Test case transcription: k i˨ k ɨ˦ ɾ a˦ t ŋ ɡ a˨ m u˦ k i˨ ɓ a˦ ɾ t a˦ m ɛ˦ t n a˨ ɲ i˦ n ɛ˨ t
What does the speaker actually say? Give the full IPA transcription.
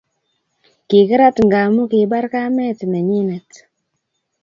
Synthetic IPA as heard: k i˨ k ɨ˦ ɾ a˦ t ŋ ɡ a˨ m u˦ k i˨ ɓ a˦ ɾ k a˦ m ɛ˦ t n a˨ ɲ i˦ n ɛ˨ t